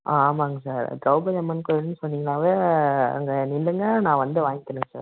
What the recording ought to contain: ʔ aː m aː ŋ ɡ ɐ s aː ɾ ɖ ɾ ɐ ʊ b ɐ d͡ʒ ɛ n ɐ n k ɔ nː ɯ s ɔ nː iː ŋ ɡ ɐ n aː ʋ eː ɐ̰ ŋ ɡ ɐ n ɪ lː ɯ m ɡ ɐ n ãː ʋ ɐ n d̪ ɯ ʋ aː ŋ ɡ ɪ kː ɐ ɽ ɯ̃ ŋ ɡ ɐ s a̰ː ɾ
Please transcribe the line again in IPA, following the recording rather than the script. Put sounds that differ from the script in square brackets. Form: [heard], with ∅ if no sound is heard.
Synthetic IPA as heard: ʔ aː m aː ŋ ɡ ɐ s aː ɾ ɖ ɾ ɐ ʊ b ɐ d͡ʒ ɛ [m] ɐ n k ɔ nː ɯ s ɔ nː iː ŋ ɡ ɐ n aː ʋ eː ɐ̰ ŋ ɡ ɐ n ɪ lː ɯ [ŋ] ɡ ɐ n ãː ʋ ɐ n d̪ ɯ ʋ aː ŋ ɡ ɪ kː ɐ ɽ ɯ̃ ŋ ɡ ɐ s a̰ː ɾ